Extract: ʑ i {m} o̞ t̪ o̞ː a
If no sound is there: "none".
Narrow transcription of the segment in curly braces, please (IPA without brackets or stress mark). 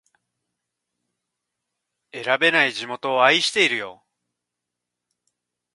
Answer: m